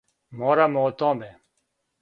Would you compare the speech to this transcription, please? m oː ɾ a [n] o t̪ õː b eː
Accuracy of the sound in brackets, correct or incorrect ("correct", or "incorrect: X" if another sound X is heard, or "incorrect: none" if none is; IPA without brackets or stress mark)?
incorrect: m